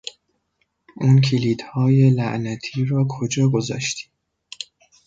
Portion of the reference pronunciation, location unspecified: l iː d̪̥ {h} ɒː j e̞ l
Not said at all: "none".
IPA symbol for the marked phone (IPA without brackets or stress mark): h